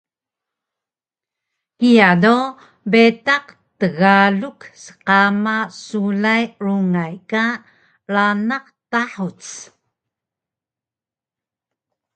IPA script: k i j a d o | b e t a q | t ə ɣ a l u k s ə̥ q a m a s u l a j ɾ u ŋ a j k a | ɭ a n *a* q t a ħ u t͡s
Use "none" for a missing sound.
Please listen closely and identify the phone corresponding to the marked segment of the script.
a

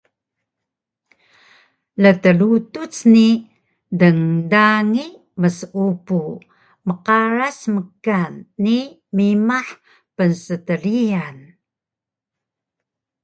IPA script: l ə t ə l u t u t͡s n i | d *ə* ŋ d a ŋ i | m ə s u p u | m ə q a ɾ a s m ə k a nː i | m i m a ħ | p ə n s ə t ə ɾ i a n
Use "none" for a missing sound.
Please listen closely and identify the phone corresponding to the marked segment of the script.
ə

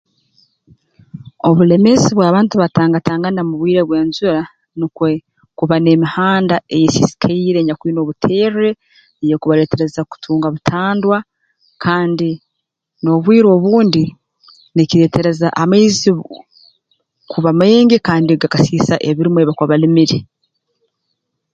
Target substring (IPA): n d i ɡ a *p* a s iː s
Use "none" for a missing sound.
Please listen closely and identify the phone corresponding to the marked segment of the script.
k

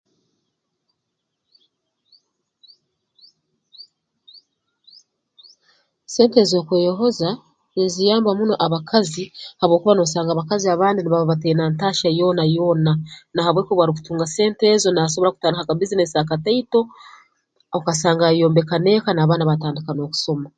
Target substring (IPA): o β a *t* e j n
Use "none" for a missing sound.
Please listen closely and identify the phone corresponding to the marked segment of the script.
t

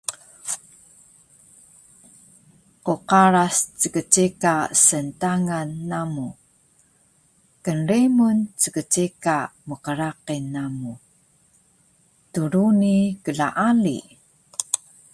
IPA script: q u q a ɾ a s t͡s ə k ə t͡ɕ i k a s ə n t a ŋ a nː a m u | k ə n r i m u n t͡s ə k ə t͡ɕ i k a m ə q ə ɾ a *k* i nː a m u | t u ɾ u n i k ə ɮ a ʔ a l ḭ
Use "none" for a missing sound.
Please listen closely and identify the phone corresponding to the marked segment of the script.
q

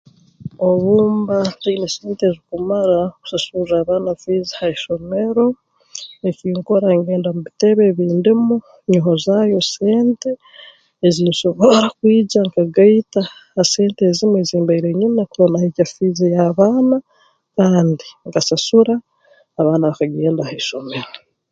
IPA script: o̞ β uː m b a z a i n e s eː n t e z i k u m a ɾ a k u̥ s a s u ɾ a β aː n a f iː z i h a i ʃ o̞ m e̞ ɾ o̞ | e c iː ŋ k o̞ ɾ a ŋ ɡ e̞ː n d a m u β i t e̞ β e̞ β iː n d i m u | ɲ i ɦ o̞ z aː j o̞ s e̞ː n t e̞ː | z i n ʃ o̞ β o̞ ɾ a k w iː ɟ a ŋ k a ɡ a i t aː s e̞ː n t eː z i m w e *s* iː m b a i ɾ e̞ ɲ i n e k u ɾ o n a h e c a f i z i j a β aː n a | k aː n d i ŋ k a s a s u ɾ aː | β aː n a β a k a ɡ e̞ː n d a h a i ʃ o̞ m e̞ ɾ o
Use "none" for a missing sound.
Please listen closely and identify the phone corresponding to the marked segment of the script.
z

